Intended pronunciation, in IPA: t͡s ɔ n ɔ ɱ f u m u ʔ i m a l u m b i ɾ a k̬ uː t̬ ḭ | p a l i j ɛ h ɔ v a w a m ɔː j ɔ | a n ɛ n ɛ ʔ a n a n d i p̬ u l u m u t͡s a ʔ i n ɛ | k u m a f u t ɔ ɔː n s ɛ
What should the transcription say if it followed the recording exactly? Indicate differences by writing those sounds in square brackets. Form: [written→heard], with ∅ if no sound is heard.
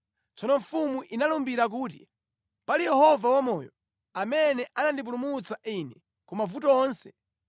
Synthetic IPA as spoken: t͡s ɔ n ɔ ɱ f u m u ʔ i [m→n] a l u m b i ɾ a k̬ uː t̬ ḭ | p a l i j ɛ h ɔ v a w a m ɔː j ɔ | a [n→m] ɛ n ɛ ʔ a n a n d i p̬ u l u m u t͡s a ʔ i n ɛ | k u m a [f→v] u t ɔ ɔː n s ɛ